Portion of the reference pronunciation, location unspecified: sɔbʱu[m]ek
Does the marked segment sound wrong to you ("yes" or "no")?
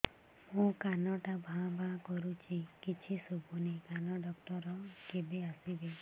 yes